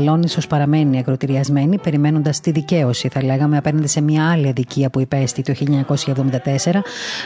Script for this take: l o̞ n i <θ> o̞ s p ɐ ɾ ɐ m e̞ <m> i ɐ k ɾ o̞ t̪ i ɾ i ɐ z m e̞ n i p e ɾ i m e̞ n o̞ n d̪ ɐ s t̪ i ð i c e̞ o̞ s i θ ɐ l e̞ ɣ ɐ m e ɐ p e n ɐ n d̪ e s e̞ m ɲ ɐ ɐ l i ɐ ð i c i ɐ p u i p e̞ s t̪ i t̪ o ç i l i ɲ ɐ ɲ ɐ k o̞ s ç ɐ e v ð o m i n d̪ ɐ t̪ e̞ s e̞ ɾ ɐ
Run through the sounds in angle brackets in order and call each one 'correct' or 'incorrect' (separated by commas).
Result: incorrect, incorrect